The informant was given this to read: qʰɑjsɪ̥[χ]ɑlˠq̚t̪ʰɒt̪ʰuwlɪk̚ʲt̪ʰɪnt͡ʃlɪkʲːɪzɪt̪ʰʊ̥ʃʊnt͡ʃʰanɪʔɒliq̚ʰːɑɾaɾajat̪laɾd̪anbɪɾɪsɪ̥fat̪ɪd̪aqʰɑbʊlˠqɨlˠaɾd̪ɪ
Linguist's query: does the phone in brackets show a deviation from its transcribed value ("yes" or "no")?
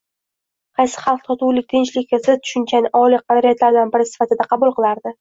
no